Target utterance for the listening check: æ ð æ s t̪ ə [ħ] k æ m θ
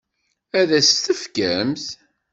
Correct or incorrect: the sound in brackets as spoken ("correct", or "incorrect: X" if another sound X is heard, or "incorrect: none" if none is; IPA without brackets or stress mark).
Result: incorrect: f